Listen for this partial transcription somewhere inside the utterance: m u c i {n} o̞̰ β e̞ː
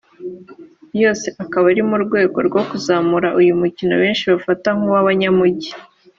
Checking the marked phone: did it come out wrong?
no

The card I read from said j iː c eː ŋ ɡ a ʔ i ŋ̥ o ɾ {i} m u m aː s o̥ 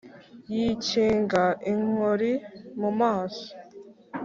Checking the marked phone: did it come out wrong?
no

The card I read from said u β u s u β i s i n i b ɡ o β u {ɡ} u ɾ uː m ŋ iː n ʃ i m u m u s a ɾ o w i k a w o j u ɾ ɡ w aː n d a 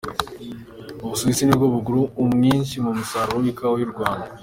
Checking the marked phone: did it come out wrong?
no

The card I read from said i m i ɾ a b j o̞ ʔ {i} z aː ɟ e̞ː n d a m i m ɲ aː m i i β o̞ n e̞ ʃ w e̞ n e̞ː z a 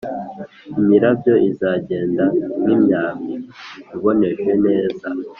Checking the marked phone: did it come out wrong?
no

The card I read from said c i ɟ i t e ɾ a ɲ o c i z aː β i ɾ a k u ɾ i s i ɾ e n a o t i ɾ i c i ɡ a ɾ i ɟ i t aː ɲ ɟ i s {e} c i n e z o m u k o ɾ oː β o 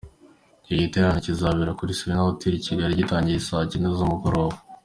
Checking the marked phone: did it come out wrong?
yes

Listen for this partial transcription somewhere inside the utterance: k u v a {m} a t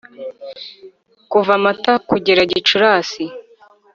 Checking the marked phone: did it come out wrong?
no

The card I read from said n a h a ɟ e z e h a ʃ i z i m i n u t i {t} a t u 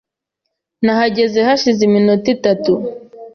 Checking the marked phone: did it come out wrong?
no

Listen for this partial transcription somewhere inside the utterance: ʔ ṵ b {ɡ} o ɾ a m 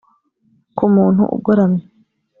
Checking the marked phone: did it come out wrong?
no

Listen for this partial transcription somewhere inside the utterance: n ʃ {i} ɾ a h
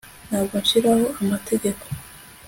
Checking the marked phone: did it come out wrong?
no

